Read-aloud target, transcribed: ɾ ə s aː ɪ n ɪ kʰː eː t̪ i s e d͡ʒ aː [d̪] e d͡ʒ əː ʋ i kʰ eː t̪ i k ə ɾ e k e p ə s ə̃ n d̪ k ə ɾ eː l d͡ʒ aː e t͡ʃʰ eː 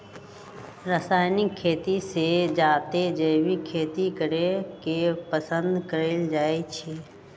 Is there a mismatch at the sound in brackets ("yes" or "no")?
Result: yes